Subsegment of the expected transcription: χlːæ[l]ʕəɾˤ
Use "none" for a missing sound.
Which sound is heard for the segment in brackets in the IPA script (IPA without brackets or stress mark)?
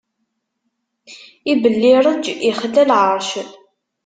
l